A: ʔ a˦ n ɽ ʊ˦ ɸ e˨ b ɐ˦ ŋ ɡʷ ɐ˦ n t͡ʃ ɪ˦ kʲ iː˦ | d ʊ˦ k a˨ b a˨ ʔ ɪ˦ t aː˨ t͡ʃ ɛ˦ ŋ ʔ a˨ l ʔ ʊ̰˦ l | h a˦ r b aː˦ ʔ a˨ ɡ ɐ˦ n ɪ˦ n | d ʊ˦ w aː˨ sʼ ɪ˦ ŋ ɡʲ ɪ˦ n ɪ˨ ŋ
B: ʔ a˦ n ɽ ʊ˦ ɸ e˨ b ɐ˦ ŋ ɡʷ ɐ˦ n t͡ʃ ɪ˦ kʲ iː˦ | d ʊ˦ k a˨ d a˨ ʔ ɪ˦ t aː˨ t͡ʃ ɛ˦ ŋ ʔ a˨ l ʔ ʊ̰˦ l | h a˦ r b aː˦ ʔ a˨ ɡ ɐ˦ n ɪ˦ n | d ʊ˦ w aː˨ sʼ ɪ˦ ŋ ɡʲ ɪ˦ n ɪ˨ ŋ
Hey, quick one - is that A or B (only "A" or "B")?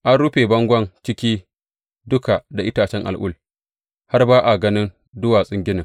B